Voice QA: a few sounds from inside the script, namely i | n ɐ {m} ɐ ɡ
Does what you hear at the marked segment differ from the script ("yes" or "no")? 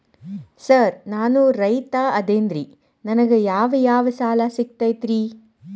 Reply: yes